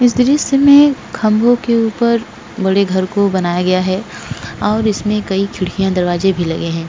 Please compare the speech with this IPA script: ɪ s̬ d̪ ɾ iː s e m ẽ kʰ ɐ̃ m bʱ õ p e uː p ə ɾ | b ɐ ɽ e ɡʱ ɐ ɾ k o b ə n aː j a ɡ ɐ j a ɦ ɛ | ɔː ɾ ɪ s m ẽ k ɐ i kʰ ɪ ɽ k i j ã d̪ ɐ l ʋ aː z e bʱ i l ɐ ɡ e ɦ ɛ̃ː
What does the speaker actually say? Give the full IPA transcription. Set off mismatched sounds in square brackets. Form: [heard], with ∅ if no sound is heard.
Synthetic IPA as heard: ɪ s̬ d̪ ɾ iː s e m ẽ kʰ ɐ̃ m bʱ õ [k] e uː p ə ɾ | b ɐ ɽ e ɡʱ ɐ ɾ k o b [ɐ] n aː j a ɡ ɐ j a ɦ ɛ | ɔː ɾ ɪ s m ẽ k ɐ i kʰ ɪ ɽ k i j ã d̪ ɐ [ɾ] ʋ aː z e bʱ i l ɐ ɡ e ɦ ɛ̃ː